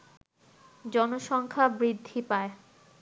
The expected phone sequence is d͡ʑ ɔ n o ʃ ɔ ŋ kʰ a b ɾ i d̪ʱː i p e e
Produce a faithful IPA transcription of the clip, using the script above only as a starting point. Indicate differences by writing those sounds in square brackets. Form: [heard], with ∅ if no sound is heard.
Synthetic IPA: d͡ʑ ɔ n o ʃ ɔ ŋ kʰ a b ɾ i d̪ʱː i p [a] e